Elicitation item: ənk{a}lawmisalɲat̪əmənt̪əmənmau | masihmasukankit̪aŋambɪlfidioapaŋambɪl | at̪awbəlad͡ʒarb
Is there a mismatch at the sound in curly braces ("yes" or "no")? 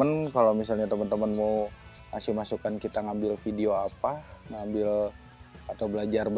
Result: no